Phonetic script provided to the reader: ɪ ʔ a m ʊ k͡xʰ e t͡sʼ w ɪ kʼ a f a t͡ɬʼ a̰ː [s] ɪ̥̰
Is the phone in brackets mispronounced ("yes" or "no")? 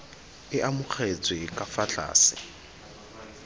no